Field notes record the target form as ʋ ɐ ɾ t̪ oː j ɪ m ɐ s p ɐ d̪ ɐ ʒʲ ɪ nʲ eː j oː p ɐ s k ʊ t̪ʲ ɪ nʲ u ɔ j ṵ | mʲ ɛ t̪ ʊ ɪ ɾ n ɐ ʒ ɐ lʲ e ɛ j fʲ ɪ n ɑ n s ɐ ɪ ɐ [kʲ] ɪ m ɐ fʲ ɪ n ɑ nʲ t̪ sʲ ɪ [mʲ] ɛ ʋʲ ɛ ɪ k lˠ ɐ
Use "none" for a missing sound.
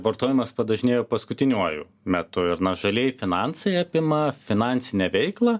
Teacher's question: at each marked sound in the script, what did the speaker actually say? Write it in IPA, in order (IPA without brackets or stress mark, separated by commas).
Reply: pʲ, nʲ